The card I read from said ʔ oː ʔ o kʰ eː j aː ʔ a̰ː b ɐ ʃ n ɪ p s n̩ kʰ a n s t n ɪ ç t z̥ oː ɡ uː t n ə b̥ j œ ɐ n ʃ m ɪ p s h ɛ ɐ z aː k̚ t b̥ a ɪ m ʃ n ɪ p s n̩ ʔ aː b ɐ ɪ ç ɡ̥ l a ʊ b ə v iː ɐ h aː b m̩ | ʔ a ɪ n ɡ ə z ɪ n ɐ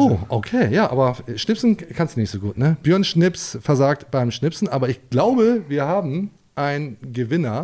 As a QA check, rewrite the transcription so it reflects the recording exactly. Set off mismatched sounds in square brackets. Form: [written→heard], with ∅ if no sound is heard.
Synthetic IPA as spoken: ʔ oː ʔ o kʰ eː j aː ʔ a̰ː b ɐ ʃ n ɪ p s n̩ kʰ a n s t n ɪ ç t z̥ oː ɡ uː t n ə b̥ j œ ɐ n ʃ [m→n] ɪ p s [h→f] ɛ ɐ z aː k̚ t b̥ a ɪ m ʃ n ɪ p s n̩ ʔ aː b ɐ ɪ ç ɡ̥ l a ʊ b ə v iː ɐ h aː b m̩ | ʔ a ɪ n ɡ ə [z→v] ɪ n ɐ